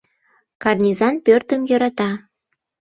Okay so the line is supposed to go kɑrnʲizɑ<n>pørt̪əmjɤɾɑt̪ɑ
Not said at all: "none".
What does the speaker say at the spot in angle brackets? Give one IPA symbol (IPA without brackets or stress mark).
n